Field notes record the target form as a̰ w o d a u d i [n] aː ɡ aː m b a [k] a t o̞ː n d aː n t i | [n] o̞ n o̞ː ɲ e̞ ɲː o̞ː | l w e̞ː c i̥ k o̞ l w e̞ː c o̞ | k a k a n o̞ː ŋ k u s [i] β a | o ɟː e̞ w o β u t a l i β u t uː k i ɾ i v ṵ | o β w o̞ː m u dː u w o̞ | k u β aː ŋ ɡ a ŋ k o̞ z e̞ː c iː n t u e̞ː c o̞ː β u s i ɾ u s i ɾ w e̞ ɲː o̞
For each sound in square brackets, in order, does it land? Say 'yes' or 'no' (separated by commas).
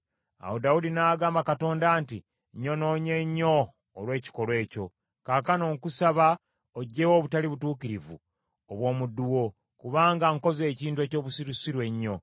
yes, yes, no, no